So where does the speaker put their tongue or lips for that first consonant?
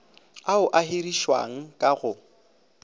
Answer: throat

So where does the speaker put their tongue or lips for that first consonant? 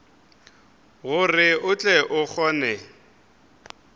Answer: velum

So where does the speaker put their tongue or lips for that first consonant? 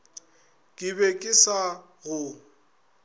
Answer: velum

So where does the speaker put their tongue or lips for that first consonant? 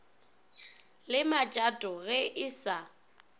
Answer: tongue tip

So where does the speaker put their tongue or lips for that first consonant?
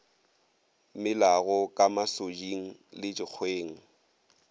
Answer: lips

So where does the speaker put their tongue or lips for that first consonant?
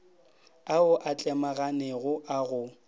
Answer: throat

